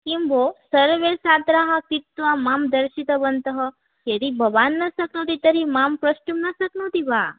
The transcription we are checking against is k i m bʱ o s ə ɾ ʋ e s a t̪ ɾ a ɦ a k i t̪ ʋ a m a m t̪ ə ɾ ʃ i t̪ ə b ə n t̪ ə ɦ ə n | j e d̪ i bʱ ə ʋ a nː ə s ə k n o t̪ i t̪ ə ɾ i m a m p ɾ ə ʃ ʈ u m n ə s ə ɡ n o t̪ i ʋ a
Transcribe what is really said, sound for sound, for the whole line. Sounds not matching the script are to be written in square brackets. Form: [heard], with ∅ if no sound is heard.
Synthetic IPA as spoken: k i m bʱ o s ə ɾ ʋ e s a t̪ ɾ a ɦ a k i t̪ ʋ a m a m [d̪] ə ɾ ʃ i t̪ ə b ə n t̪ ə ɦ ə [∅] | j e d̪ i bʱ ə ʋ a nː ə s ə k n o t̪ i t̪ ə ɾ i m a m p ɾ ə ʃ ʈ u m n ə s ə [k] n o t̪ i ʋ a